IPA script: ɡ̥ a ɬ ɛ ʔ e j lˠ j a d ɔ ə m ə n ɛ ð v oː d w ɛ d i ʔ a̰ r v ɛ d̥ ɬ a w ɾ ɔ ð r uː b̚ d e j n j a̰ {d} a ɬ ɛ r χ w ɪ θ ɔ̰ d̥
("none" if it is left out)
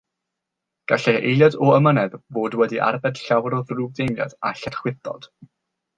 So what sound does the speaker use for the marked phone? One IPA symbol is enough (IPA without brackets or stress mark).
d